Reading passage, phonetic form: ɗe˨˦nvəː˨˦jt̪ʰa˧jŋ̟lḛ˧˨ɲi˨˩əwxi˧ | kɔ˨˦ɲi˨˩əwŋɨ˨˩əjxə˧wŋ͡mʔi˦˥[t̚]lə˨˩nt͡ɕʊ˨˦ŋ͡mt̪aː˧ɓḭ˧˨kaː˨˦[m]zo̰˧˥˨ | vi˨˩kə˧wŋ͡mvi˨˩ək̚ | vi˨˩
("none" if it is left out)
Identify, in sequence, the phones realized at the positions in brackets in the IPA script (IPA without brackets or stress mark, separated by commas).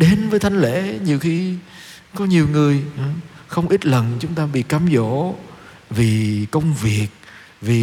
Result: t̚, m